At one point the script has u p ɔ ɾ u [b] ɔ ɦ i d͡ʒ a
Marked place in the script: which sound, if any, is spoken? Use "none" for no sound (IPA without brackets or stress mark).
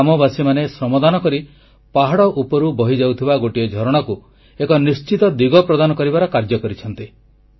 b